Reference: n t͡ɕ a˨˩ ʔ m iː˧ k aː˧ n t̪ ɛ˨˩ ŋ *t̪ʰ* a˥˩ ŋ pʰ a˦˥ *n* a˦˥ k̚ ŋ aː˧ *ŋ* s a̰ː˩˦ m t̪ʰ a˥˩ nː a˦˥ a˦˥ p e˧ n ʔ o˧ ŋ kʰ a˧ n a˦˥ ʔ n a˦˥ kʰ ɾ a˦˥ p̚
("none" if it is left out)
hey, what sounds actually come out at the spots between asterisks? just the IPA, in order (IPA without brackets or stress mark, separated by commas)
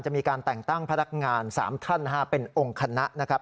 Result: t̪, n, n